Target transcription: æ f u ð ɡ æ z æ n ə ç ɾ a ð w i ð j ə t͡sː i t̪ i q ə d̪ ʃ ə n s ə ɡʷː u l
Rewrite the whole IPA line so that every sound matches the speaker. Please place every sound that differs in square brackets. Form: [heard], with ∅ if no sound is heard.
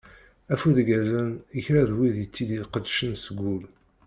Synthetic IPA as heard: æ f u ð ɡ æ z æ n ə ç ɾ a ð w i ð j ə t͡sː i [d̪] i q ə d̪ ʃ ə n s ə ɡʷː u l